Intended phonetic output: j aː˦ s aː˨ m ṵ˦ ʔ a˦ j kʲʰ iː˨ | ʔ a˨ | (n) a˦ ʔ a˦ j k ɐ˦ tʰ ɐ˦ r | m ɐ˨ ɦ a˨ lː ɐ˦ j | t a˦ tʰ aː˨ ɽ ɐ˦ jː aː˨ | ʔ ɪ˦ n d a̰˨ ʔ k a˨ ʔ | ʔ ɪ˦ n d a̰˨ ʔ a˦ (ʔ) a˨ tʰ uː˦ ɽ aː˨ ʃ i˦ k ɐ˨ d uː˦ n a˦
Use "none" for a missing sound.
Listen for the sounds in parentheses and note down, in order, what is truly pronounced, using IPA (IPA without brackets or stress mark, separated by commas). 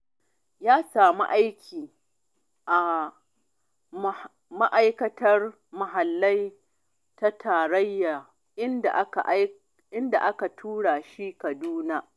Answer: m, k